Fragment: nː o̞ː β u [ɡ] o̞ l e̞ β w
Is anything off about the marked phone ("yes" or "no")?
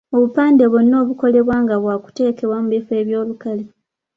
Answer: yes